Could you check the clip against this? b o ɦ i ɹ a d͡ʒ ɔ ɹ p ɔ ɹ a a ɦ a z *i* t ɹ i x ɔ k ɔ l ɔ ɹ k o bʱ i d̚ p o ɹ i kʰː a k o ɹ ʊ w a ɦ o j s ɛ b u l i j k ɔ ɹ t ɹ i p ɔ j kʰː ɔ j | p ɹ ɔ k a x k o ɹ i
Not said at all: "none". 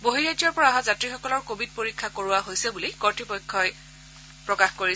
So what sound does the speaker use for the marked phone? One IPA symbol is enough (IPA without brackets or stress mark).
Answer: a